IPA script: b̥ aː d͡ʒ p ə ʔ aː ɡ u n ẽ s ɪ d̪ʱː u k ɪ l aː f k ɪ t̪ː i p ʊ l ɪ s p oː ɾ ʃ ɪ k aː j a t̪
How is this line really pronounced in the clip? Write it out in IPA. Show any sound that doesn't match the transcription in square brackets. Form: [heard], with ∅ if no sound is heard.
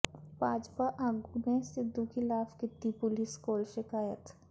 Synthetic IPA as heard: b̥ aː d͡ʒ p [a] ʔ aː ɡ u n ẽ s ɪ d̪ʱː u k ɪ l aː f k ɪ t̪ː i p ʊ l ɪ s [k] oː [l] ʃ ɪ k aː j [ə] t̪